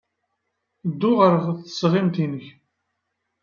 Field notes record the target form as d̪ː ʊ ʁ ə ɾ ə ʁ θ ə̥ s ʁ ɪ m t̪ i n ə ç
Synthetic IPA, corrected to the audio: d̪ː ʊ ʁ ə ɾ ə ʁ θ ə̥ s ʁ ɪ m t̪ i n ə ç